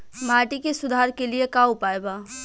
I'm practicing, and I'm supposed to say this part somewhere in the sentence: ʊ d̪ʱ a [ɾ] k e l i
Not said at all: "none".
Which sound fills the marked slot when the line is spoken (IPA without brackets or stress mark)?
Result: ɾ